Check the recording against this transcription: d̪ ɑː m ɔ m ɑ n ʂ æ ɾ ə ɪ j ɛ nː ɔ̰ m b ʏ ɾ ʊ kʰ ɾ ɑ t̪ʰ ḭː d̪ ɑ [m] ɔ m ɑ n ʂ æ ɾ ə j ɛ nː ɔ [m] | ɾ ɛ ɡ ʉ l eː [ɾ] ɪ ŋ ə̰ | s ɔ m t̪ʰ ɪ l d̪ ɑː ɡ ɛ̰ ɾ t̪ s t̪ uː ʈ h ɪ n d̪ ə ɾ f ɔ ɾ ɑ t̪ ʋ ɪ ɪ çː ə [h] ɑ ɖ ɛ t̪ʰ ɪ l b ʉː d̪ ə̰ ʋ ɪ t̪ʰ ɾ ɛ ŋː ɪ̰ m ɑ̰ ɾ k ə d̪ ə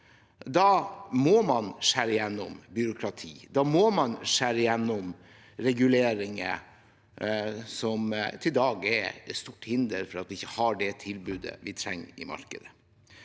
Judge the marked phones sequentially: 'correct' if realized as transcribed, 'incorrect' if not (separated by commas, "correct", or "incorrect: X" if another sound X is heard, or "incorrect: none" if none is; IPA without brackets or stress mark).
correct, correct, correct, correct